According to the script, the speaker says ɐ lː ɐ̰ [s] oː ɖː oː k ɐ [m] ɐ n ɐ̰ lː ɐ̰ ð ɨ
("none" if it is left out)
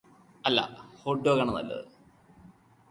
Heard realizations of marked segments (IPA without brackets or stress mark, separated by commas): h, ɳ